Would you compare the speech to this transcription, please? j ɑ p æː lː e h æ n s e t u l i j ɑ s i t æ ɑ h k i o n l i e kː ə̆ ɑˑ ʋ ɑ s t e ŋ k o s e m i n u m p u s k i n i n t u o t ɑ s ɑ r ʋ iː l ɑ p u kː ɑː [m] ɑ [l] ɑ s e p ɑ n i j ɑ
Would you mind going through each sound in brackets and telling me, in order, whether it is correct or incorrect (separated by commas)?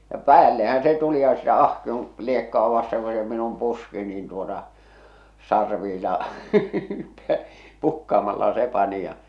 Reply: correct, incorrect